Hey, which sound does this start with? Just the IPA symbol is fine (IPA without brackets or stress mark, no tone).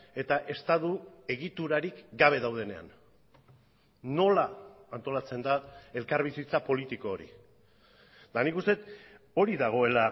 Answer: e̞